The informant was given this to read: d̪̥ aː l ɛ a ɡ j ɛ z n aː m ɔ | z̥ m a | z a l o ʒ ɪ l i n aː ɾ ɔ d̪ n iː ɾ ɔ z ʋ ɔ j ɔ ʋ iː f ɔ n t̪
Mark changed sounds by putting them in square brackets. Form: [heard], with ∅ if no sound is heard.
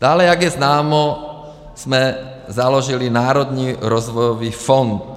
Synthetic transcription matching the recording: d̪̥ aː l ɛ a ɡ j ɛ z n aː m ɔ | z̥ m [ɛ] | z a l [ɔ] ʒ [i] l i n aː ɾ ɔ d̪ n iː ɾ ɔ z ʋ ɔ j ɔ ʋ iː f ɔ n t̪

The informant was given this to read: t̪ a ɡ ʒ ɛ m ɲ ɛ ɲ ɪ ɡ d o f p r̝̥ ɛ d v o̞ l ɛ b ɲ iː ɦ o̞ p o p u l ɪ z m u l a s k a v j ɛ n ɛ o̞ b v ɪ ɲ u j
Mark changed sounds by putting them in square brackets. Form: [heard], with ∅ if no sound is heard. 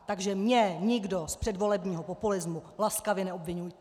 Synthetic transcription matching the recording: t̪ a ɡ ʒ ɛ m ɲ ɛ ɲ ɪ ɡ d o [s] p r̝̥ ɛ d v o̞ l ɛ b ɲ iː ɦ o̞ p o p u l ɪ z m u l a s k a v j ɛ n ɛ o̞ b v ɪ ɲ u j

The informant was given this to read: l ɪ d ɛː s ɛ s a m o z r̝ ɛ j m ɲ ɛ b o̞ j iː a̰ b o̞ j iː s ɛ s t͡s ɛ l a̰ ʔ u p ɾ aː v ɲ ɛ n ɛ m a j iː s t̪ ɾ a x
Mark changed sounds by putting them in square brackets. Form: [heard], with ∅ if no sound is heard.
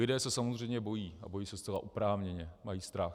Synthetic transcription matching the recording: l ɪ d ɛː s ɛ s a m o z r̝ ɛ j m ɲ ɛ b o̞ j iː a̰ b o̞ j iː s ɛ s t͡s ɛ l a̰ ʔ u p ɾ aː v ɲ ɛ [ɲ] ɛ m a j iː s t̪ ɾ a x

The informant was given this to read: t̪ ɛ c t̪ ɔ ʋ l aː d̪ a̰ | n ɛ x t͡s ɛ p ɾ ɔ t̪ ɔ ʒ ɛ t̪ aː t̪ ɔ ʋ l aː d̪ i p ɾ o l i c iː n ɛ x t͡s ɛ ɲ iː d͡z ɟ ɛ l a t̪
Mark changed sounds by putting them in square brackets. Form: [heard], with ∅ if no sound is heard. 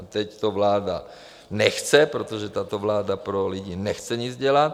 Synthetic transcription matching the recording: t̪ ɛ c t̪ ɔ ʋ l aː d̪ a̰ | n ɛ x t͡s ɛ p ɾ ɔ t̪ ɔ ʒ ɛ t̪ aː t̪ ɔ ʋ l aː d̪ [a] p ɾ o l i [ɟ] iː n ɛ x t͡s ɛ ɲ [i] d͡z ɟ ɛ l a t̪

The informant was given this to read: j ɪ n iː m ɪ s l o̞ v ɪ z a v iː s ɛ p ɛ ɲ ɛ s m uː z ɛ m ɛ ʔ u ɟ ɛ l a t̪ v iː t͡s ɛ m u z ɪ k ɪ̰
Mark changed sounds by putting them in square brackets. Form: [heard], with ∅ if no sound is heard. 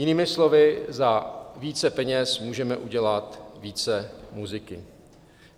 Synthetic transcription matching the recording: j ɪ n iː m ɪ s l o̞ v ɪ z a v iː [t͡s] ɛ p ɛ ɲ ɛ s m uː [ʒ] ɛ m ɛ ʔ u ɟ ɛ l a t̪ v iː t͡s ɛ m u z ɪ k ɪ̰

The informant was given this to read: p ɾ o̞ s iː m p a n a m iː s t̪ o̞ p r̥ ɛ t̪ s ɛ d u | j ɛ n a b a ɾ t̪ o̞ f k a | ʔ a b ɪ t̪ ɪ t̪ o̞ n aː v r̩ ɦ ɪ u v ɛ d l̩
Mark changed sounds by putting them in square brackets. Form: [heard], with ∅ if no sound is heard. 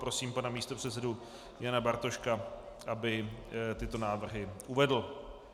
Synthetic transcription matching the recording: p ɾ o̞ s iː m p a n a m iː s t̪ o̞ p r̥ ɛ t̪ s ɛ d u | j [a] n a b a ɾ t̪ o̞ [ʃ] k a | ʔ a b ɪ t̪ ɪ t̪ o̞ n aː v r̩ ɦ ɪ u v ɛ d l̩

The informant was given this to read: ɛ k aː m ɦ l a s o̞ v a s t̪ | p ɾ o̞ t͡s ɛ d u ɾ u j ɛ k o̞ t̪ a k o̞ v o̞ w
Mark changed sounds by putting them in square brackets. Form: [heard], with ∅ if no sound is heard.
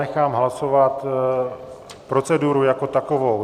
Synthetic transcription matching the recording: ɛ [x] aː m ɦ l a s o̞ v a [∅] t̪ | p ɾ o̞ t͡s ɛ d u ɾ u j [a] k o̞ t̪ a k o̞ v o̞ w

